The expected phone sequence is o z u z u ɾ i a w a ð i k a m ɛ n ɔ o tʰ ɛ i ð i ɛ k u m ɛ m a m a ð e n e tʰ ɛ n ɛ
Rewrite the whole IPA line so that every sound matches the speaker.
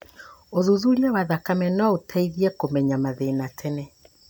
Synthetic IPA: o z u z u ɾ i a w a ð a k a m ɛ n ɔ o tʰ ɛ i ð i ɛ k o m ɛ ɲ a m a ð e n a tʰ ɛ n ɛ